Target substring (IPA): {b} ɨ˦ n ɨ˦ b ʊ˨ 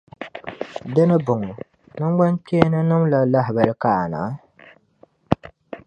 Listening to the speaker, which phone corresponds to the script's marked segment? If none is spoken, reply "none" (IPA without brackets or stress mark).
d